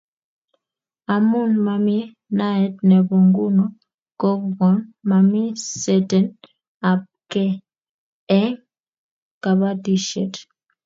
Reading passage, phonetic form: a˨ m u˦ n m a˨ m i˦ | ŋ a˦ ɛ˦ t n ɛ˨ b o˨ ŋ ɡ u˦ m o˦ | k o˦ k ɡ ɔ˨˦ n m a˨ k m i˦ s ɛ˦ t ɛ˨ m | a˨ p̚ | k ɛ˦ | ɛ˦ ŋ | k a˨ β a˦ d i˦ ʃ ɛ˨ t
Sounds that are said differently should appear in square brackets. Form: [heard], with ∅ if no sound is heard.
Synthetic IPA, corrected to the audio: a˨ m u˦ n m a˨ m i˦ | [n] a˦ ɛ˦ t n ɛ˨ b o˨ ŋ ɡ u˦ [n] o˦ | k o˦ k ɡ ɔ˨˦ n m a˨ [∅] m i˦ s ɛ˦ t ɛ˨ [n] | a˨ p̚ | k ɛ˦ | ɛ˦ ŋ | k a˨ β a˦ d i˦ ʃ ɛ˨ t

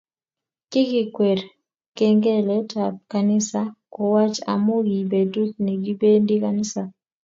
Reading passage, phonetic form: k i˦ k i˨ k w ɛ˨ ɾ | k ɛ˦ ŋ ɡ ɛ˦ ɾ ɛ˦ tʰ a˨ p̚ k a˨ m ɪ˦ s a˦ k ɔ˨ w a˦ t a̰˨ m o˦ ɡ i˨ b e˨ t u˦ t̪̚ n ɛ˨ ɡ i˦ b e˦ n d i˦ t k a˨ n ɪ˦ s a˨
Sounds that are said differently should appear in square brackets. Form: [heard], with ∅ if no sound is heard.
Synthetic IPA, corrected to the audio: k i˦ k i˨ k w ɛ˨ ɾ | k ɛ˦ ŋ ɡ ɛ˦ [l] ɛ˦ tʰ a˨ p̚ k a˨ [n] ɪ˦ s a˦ k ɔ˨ w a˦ [t͡ʃ] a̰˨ m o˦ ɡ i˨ b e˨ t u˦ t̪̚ n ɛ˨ ɡ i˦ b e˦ n d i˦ [∅] k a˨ n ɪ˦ s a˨

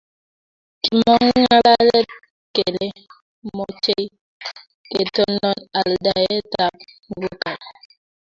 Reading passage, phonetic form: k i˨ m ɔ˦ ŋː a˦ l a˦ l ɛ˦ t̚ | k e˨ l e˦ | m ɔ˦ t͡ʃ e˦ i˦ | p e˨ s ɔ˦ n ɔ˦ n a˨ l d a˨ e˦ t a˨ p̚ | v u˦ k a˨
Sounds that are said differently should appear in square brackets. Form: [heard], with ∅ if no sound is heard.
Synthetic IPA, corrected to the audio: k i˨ m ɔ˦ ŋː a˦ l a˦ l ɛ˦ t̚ | k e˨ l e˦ | m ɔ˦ t͡ʃ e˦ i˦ | [k] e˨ [t] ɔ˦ n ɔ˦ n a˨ l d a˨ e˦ t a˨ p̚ | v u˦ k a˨

